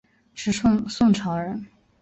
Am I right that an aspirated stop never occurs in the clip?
no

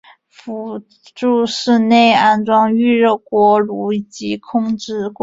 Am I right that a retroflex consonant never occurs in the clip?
no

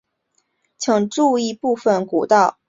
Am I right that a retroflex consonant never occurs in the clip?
no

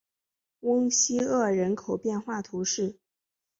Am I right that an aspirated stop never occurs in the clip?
no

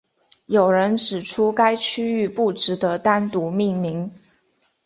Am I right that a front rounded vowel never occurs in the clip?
no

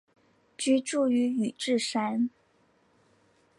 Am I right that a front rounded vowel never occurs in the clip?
no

